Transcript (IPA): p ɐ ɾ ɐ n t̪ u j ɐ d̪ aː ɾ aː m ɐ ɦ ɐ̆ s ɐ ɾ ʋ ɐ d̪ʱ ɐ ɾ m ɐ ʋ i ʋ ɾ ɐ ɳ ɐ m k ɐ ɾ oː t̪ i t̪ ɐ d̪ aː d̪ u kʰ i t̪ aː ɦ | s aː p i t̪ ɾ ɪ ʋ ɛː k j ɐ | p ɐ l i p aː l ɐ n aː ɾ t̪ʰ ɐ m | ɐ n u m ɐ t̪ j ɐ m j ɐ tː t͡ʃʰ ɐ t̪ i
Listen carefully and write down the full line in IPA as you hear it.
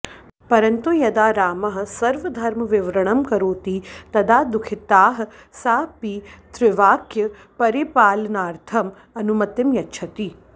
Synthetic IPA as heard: p ɐ ɾ ɐ n t̪ u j ɐ d̪ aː ɾ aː m ɐ ɦ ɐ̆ s ɐ ɾ ʋ ɐ d̪ʱ ɐ ɾ m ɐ ʋ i ʋ ɾ ɐ ɳ ɐ m k ɐ ɾ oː t̪ i t̪ ɐ d̪ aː d̪ u kʰ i t̪ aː ɦ | s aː p i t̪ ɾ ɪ ʋ aː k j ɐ | p ɐ ɾ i p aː l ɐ n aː ɾ t̪ʰ ɐ m | ɐ n u m ɐ t̪ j ɐ m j ɐ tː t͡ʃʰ ɐ t̪ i